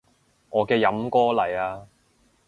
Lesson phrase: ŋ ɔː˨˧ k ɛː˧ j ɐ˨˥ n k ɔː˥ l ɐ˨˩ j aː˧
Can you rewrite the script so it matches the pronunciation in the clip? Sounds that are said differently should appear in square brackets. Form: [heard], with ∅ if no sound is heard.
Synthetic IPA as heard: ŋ ɔː˨˧ k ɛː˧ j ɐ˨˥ [m] k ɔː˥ l ɐ˨˩ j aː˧